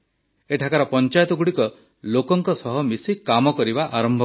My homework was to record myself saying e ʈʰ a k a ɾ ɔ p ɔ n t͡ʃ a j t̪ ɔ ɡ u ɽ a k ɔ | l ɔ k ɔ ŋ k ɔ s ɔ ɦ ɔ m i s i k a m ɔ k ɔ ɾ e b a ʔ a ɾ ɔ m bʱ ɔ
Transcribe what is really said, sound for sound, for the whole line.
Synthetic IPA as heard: e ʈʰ a k a ɾ ɔ p ɔ n t͡ʃ a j t̪ ɔ ɡ u ɽ i k ɔ | l o k ɔ ŋ k ɔ s ɔ ɦ ɔ m i s i k a m ɔ k ɔ ɾ i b a ʔ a ɾ ɔ m bʱ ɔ